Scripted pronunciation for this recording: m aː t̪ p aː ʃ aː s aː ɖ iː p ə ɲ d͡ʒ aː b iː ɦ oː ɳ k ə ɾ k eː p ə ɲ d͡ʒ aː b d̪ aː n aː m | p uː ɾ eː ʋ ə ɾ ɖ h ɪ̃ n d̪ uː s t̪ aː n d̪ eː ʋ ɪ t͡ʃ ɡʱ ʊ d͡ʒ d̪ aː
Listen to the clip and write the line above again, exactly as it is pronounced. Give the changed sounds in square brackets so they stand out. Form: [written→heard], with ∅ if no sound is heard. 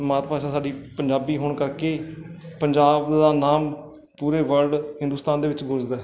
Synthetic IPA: m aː t̪ p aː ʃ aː s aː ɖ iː p ə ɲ d͡ʒ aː b iː ɦ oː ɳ k ə ɾ k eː p ə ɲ d͡ʒ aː b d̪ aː n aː m | p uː ɾ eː ʋ ə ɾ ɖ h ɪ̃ n d̪ uː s t̪ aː n d̪ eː ʋ ɪ t͡ʃ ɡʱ ʊ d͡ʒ d̪ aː